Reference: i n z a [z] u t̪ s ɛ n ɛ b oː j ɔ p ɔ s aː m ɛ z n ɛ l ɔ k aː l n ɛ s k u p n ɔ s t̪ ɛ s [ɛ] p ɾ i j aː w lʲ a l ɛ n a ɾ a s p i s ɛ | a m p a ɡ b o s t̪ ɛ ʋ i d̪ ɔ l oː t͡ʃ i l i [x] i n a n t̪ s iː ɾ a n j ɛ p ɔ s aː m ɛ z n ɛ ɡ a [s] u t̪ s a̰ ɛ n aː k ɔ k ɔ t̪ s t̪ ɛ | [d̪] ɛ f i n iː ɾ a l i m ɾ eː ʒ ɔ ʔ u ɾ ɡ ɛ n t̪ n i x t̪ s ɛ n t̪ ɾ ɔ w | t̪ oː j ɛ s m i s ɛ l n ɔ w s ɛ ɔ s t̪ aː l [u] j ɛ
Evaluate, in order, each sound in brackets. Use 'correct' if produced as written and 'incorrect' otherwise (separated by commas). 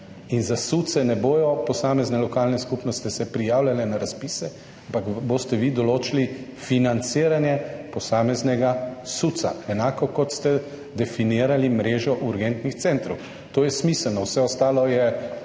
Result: incorrect, correct, incorrect, correct, correct, incorrect